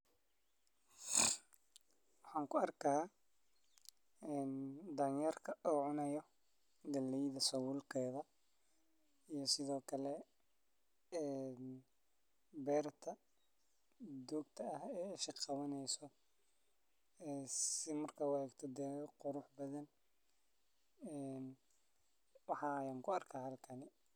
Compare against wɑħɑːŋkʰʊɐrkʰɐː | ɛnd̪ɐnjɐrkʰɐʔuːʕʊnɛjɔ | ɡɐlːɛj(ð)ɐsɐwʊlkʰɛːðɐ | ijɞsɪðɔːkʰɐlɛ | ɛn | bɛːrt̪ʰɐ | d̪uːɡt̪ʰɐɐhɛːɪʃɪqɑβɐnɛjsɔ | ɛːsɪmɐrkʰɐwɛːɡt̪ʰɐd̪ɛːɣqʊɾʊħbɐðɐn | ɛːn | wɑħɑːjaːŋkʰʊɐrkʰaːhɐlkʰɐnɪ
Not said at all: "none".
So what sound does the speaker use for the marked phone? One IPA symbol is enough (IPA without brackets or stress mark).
ð